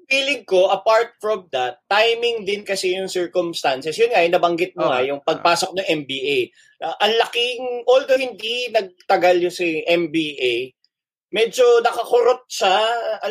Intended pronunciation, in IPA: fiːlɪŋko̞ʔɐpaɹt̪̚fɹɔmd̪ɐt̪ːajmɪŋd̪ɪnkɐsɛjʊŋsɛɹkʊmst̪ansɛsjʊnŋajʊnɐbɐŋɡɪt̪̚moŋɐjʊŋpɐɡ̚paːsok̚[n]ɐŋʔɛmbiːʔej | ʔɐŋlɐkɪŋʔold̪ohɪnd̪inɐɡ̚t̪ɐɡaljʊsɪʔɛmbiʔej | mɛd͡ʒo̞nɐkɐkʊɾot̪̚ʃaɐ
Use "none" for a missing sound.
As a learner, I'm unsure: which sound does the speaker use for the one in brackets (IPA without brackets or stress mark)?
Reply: n